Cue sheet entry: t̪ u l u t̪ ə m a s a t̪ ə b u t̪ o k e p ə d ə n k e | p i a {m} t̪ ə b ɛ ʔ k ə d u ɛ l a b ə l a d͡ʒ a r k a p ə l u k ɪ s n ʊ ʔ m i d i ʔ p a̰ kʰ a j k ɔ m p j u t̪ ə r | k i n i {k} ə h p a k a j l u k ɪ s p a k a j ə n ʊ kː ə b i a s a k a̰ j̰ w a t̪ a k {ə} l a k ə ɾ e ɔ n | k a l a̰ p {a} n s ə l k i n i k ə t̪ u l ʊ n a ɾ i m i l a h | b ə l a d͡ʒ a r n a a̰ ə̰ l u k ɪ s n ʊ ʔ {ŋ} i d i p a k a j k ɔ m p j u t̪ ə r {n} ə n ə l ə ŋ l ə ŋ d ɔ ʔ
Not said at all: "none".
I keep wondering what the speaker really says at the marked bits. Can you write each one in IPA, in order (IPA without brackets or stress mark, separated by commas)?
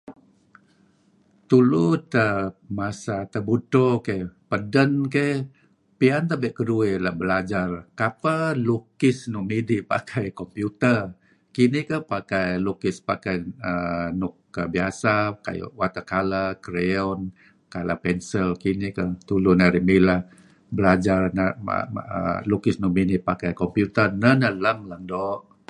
n, k, a, ɛ, m, n